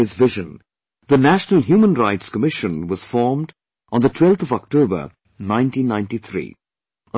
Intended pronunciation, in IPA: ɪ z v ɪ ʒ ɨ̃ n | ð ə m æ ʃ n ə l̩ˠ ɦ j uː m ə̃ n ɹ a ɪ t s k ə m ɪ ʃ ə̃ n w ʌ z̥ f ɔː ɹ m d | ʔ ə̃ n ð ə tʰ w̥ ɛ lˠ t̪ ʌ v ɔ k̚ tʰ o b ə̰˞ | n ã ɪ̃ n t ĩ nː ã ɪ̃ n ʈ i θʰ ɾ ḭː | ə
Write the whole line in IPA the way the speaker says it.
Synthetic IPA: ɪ z v ɪ ʒ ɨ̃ n | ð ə n æ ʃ n ə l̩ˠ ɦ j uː m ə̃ n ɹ a ɪ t s k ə m ɪ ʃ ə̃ n w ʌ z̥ f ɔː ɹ m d | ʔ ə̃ n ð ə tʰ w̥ ɛ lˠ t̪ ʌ v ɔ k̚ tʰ o b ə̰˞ | n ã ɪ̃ n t ĩ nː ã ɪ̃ n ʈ i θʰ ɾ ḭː | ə